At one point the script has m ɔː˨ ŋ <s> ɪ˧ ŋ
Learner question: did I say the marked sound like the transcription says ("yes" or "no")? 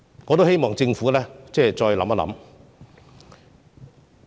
no